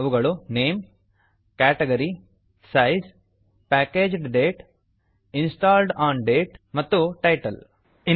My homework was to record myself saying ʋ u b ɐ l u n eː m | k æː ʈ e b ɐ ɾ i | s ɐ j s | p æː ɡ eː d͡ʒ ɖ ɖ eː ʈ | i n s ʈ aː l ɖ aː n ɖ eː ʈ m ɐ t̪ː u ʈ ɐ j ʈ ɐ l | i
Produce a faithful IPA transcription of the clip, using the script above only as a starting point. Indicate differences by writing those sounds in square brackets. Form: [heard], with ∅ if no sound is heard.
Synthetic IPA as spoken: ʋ u [ɡ] ɐ [ɭ] u n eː m | k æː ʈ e [ɡ] ɐ ɾ i | s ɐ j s | p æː [k] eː d͡ʒ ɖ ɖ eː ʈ | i n s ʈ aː l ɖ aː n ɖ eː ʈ m ɐ t̪ː u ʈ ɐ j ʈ ɐ l | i